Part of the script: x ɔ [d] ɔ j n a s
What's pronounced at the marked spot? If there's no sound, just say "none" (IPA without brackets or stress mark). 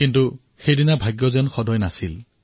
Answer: d